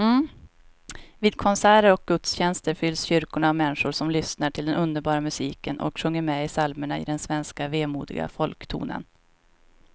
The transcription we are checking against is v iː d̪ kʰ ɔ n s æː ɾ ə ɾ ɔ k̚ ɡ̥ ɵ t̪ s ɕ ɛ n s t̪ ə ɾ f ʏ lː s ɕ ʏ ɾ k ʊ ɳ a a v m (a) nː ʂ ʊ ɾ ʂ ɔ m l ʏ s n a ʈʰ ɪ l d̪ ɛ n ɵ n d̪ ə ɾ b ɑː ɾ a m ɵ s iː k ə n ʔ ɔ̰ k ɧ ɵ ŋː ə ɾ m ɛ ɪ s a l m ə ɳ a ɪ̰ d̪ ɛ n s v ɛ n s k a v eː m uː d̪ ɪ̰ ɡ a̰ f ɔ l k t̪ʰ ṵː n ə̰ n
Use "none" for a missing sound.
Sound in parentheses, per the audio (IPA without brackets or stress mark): ɛ